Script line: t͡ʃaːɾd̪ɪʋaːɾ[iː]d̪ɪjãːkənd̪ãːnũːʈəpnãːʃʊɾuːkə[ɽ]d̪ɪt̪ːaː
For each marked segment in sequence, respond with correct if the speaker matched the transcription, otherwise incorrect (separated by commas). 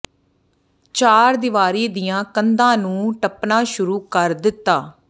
correct, incorrect